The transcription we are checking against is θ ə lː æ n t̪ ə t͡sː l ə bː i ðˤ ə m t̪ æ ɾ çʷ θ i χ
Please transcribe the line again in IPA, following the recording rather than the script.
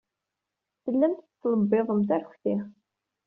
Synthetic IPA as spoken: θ ə lː æ m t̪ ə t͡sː l ə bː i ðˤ ə m t̪ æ ɾ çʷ θ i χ